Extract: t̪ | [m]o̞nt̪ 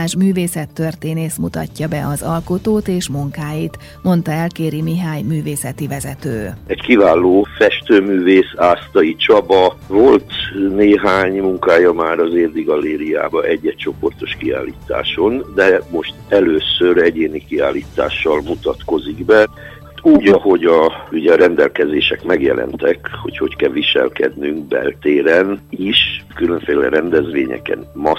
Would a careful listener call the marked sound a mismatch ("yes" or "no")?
no